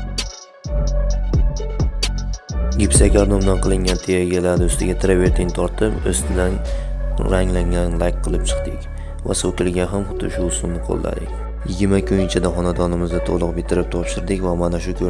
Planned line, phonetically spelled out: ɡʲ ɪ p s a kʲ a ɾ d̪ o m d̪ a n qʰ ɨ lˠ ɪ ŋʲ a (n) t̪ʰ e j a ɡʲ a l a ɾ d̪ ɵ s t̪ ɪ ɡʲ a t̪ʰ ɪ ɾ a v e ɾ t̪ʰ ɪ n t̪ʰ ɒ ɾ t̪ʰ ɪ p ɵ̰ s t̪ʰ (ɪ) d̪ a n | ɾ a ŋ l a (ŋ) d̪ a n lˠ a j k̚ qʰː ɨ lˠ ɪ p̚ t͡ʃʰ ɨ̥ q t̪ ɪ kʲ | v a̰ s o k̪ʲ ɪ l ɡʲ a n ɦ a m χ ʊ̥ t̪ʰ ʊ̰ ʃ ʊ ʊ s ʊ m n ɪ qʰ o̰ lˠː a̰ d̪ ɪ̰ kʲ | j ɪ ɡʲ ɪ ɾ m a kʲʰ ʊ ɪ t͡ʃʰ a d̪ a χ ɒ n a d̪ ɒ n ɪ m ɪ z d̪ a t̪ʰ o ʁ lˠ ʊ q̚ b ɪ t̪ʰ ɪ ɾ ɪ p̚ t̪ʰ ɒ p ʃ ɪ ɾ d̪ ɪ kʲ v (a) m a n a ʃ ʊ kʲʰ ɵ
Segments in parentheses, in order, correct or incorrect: correct, correct, correct, correct

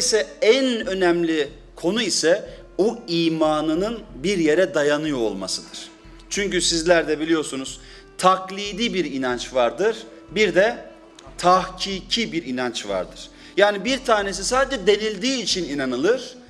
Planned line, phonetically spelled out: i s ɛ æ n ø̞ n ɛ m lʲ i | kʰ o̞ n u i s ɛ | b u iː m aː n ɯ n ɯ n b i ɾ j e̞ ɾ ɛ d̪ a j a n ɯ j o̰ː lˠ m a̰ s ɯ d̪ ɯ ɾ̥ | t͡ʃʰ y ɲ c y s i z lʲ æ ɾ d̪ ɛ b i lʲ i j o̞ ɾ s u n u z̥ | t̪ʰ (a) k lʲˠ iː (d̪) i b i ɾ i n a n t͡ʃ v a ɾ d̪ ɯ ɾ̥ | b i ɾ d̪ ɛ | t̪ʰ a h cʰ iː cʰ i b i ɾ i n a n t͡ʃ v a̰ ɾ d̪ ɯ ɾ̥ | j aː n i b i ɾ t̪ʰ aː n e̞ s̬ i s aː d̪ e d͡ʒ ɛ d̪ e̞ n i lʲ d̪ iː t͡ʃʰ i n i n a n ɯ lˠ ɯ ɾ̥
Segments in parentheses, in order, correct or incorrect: correct, correct

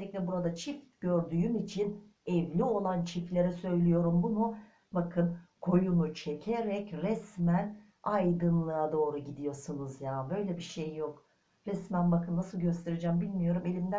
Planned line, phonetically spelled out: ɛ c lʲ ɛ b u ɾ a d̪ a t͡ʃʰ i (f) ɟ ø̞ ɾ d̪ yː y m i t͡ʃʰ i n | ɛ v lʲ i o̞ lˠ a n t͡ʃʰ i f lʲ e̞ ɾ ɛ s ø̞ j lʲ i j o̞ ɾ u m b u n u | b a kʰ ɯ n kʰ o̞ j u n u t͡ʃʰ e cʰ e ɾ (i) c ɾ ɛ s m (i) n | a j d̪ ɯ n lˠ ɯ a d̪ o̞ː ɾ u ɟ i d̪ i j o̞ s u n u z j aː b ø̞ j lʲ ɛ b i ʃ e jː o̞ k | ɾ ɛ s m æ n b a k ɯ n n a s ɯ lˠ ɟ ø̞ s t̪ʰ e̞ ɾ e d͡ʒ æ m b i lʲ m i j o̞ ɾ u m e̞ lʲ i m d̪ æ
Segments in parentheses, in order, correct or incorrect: correct, incorrect: ɛ, incorrect: æ

